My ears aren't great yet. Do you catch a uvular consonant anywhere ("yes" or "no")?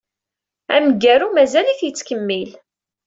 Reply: no